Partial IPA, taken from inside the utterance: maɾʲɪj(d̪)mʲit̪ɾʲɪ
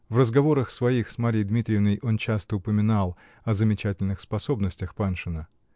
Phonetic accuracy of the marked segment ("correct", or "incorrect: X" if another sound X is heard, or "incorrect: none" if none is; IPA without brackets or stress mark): correct